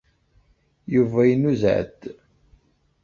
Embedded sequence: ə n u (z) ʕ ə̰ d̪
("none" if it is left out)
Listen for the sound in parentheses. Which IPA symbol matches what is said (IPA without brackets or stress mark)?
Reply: z